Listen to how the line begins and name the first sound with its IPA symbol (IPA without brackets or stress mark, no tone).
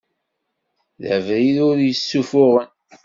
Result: ð